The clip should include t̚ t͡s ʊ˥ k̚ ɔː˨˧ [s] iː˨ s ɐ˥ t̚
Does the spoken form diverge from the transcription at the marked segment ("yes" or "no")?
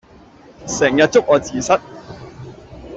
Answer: yes